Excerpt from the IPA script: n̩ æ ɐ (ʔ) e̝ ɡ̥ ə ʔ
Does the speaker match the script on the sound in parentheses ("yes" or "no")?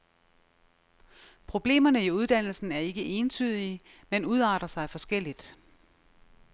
no